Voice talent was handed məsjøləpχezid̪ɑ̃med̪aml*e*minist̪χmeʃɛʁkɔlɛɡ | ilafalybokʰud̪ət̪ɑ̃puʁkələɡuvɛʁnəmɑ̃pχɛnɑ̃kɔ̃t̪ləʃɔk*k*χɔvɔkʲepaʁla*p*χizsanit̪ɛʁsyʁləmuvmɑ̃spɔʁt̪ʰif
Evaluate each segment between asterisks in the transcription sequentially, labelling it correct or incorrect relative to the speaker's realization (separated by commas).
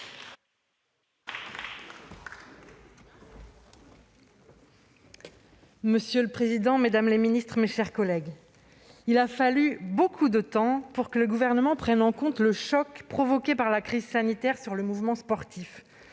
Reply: correct, incorrect, incorrect